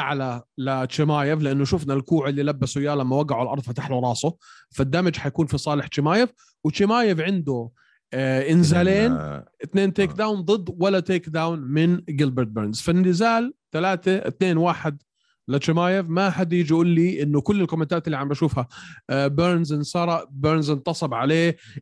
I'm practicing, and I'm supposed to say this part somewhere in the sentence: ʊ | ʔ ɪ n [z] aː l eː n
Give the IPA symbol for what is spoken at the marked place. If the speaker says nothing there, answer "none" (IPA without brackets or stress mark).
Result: z